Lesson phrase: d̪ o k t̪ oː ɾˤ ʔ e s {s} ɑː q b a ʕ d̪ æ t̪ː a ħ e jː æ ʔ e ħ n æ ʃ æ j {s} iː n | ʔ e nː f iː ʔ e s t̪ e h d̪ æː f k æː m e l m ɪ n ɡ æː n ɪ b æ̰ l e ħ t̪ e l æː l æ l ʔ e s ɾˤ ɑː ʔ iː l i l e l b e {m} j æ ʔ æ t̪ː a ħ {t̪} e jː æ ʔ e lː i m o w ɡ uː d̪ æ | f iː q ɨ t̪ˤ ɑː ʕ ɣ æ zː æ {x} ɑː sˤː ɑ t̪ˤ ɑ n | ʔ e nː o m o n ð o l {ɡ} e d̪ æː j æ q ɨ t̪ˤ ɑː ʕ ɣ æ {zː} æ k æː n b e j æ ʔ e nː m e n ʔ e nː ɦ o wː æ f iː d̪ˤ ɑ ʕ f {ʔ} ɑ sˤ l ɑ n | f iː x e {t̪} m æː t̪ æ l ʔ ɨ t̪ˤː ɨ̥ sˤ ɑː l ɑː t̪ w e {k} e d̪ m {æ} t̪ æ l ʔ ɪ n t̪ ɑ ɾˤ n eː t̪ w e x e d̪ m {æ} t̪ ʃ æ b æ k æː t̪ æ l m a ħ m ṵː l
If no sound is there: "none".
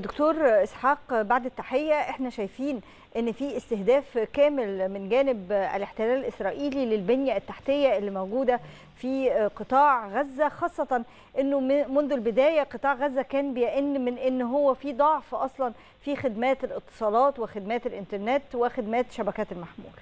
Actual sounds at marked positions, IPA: ħ, f, n, t̪, x, b, zː, ʔ, d̪, x, æː, æː

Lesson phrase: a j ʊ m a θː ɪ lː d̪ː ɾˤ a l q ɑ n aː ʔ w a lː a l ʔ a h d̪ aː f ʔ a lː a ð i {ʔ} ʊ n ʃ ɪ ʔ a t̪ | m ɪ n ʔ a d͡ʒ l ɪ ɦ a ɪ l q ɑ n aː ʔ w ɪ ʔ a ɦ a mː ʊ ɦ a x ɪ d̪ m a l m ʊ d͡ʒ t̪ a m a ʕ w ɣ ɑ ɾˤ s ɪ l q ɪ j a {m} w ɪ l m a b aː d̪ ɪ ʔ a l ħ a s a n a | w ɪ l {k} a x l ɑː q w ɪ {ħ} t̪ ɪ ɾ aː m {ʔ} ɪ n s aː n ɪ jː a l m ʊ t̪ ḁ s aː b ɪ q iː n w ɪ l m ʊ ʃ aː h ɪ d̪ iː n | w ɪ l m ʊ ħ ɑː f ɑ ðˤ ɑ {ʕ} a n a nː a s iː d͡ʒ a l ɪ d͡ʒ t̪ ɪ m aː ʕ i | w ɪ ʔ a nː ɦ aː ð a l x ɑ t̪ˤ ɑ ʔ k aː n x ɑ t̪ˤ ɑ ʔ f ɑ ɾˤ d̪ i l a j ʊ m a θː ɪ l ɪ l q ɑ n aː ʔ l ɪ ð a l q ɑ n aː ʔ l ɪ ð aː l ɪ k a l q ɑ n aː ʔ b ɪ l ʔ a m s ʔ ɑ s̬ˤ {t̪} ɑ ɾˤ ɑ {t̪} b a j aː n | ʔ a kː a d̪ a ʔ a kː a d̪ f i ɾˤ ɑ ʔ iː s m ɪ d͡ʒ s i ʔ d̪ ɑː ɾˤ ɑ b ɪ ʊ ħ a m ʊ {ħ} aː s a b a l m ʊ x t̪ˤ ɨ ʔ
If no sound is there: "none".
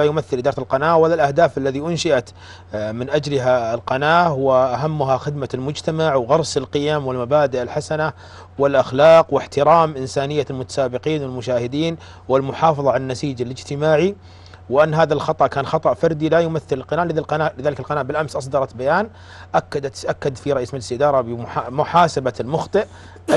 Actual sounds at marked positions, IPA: ʔ, m, ʔ, ħ, ʔ, ʕ, d̪, t̪, ħ

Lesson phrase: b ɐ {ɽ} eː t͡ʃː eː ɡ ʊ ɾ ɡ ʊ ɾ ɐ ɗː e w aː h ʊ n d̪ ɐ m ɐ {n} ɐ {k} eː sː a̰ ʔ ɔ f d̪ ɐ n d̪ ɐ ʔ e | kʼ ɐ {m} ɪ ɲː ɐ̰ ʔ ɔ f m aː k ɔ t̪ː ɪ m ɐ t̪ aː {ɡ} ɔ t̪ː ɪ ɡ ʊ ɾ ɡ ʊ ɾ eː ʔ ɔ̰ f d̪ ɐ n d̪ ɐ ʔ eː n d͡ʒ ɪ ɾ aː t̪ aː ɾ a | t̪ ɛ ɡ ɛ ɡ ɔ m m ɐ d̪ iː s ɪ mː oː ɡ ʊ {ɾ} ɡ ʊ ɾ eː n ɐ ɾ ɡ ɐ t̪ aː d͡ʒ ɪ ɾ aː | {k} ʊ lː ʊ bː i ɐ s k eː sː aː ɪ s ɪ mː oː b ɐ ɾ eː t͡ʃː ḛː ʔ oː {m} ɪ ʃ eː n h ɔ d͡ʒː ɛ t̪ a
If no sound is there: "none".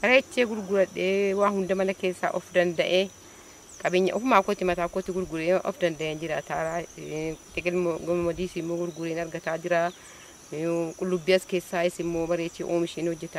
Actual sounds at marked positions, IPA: ɾ, n, k, b, k, ɾ, kʼ, m

